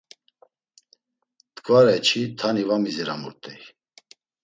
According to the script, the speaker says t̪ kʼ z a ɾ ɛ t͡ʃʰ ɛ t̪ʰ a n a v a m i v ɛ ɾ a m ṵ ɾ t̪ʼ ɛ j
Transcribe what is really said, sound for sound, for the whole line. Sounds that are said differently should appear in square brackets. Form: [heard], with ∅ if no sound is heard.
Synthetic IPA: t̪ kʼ [v] a ɾ ɛ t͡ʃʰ [i] t̪ʰ a n [i] v a m i [z] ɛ ɾ a m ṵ ɾ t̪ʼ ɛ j